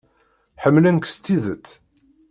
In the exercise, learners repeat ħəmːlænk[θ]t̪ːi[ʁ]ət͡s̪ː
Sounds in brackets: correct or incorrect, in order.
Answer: incorrect, incorrect

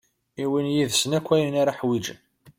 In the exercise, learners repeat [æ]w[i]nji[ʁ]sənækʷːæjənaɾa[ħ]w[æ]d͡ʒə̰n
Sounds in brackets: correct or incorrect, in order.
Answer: incorrect, correct, incorrect, correct, incorrect

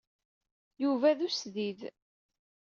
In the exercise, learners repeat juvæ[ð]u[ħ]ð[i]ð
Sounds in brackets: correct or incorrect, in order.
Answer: correct, incorrect, correct

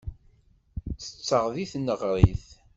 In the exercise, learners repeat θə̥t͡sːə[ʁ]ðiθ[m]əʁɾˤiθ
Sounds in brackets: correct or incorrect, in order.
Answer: correct, incorrect

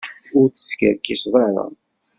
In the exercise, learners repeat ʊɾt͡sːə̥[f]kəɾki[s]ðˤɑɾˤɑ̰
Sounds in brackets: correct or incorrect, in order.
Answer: incorrect, correct

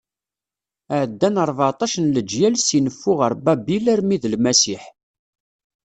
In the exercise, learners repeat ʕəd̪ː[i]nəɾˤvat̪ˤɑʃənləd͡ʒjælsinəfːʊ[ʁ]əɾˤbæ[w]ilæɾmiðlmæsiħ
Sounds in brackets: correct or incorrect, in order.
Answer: incorrect, correct, incorrect

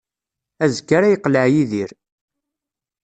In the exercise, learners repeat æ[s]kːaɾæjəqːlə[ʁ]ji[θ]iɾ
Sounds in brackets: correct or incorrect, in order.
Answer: incorrect, incorrect, incorrect

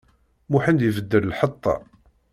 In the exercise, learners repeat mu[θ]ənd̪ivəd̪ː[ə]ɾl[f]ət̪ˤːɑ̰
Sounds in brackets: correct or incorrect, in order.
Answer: incorrect, correct, incorrect

